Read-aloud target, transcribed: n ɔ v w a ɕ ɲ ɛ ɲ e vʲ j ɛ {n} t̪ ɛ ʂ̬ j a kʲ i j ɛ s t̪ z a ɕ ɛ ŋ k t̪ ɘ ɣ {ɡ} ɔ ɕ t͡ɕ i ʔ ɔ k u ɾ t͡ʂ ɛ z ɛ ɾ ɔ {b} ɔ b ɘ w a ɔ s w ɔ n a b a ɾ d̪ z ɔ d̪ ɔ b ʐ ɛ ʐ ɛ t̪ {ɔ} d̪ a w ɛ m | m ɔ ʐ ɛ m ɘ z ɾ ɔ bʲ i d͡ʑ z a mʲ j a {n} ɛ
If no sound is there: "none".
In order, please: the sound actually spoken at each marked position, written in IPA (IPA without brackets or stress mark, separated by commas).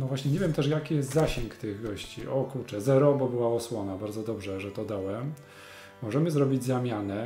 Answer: m, ɡ, b, ɔ, n